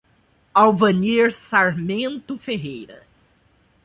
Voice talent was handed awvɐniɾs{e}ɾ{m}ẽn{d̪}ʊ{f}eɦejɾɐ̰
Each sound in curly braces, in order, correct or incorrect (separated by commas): incorrect, correct, incorrect, correct